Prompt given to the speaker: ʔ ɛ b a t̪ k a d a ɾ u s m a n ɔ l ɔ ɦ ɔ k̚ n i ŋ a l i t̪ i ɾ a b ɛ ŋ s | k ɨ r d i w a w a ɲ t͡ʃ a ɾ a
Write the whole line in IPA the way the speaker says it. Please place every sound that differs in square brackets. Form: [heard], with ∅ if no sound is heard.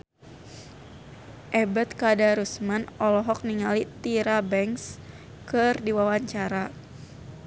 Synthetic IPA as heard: ʔ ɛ b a t̪ k a d a ɾ u s m a n ɔ l ɔ ɦ ɔ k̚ n i ŋ a l i t̪ i ɾ a b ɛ ŋ s | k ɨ r d i w a w a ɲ t͡ʃ a ɾ a